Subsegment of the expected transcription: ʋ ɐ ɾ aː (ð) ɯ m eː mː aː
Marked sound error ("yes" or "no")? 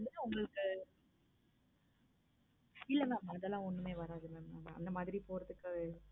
no